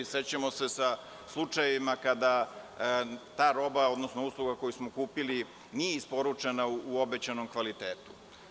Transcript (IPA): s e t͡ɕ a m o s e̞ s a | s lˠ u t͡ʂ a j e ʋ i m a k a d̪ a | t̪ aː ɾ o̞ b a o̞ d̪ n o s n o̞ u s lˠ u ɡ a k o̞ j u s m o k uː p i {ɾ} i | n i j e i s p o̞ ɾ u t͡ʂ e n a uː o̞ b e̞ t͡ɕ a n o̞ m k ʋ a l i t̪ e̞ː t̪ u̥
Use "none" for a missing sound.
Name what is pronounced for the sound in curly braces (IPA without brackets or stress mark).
l